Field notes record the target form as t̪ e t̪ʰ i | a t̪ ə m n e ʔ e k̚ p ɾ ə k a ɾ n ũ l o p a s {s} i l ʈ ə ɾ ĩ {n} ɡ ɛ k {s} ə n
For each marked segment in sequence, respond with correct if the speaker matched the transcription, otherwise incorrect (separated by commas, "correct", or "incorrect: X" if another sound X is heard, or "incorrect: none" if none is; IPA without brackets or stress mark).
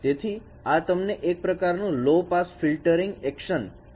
incorrect: f, incorrect: ŋ, incorrect: ʃ